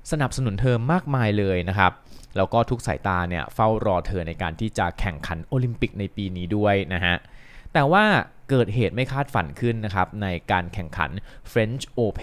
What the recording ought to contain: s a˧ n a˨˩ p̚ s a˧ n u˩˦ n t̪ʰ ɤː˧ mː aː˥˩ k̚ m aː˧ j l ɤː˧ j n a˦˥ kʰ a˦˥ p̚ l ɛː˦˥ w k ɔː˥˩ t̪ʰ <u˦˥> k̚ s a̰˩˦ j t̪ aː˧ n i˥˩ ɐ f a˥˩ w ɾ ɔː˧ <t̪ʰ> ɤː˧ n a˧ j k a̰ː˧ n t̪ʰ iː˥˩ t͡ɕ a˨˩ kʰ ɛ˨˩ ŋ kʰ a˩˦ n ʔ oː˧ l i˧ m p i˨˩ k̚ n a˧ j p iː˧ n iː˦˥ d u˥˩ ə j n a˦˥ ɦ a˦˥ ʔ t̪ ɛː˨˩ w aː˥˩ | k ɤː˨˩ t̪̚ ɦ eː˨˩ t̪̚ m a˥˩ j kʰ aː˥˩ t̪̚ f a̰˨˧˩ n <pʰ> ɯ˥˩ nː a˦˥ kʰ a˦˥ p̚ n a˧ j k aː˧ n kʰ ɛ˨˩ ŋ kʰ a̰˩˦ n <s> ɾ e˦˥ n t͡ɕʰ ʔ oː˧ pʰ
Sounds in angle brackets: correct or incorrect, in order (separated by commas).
correct, correct, incorrect, incorrect